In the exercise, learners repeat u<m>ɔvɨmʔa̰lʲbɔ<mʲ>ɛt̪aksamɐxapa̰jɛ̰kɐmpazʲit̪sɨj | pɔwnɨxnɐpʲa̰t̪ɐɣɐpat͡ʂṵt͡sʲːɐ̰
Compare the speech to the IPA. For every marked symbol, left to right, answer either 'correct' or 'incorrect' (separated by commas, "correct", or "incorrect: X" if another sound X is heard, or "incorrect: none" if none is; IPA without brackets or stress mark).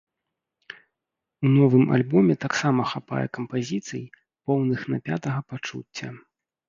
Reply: incorrect: n, correct